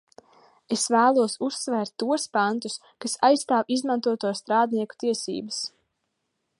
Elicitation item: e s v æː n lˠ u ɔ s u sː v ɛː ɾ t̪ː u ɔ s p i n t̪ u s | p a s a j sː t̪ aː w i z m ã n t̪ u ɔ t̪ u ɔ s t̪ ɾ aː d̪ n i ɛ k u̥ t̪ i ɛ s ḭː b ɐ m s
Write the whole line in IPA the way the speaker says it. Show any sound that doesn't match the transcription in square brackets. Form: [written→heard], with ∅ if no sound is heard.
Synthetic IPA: e s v æː [n→∅] lˠ u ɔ s u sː v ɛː ɾ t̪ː u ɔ s p [i→a] n t̪ u s | [p→k] a s a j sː t̪ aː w i z m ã n t̪ u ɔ t̪ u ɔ s t̪ ɾ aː d̪ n i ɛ k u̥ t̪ i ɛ s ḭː b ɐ [m→∅] s